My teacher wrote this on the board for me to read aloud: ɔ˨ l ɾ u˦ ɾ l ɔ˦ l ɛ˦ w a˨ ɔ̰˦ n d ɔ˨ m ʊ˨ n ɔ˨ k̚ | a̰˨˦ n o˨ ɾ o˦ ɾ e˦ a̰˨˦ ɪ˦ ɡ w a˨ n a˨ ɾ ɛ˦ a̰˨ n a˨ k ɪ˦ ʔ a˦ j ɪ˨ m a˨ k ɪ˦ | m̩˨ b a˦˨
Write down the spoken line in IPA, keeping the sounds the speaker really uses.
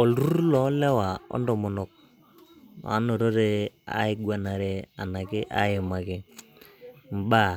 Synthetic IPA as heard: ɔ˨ l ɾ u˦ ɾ l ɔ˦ l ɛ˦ w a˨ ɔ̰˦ n d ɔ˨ m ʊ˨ n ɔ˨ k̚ | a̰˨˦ n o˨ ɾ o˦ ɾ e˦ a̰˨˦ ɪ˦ ɡ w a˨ n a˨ ɾ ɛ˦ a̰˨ n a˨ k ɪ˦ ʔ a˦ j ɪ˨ m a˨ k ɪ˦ | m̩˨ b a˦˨